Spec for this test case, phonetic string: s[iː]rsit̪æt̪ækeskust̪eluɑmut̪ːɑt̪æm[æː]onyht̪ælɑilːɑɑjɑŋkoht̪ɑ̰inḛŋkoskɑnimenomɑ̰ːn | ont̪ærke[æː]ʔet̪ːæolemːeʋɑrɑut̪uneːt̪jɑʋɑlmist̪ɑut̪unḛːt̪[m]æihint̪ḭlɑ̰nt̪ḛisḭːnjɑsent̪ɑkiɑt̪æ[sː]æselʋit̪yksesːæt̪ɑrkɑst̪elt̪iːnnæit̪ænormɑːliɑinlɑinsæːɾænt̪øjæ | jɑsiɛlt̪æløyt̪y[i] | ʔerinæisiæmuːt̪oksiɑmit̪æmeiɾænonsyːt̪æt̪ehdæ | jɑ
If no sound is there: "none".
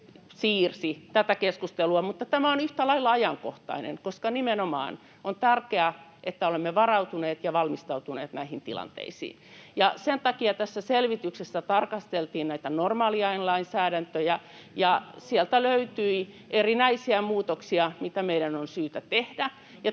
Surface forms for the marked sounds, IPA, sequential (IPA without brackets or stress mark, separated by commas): iː, æ, æ, n, sː, i